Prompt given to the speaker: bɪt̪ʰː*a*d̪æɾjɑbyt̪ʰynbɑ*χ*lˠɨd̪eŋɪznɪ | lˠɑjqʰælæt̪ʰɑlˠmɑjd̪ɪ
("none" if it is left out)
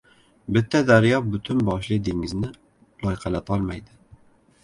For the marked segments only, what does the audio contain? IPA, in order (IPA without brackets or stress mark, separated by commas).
ɛ, ʃ